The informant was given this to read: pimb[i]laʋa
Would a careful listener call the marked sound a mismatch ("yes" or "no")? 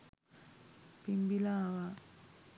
no